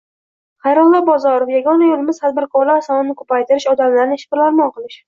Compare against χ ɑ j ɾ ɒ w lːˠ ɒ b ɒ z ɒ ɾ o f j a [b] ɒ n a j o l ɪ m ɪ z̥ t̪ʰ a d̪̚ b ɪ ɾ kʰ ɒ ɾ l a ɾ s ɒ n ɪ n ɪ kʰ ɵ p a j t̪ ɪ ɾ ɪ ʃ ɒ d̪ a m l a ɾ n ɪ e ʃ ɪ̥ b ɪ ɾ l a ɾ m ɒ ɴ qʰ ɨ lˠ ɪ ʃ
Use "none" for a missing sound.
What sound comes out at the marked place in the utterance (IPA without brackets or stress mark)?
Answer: ɡ